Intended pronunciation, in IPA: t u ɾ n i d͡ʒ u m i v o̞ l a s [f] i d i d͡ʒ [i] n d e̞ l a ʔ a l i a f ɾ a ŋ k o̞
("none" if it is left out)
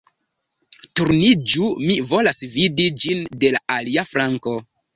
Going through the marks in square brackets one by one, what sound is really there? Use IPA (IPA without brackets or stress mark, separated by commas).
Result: v, i